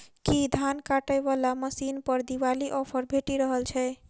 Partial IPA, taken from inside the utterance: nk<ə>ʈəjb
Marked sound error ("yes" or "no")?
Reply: yes